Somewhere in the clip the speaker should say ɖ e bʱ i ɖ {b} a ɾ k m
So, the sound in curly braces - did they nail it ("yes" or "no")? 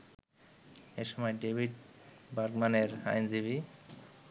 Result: yes